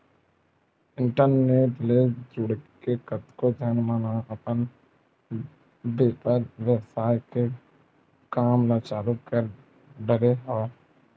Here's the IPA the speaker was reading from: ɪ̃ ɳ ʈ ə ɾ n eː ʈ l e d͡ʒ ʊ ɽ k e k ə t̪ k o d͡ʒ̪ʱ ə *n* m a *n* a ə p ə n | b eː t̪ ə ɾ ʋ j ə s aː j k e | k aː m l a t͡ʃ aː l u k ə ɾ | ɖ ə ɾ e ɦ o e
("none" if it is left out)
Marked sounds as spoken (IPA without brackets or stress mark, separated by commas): n, n